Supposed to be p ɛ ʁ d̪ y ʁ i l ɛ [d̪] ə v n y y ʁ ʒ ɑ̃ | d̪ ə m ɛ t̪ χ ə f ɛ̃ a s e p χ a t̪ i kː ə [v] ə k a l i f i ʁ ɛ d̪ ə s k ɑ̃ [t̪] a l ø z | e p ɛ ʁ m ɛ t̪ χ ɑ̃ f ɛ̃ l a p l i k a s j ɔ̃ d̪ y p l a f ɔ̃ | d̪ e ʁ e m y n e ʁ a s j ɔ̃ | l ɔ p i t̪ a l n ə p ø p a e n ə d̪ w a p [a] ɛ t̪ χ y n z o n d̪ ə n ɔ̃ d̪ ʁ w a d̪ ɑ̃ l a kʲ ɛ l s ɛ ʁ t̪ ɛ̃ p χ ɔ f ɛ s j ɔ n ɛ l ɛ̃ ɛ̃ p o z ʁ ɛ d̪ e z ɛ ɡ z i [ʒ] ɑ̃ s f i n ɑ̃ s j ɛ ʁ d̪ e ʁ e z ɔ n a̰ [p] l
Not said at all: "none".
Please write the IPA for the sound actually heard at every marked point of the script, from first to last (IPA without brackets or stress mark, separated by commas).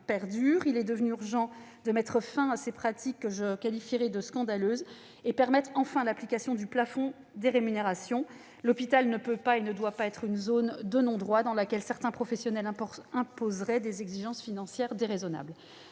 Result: d̪, ʒ, d̪, a, ʒ, b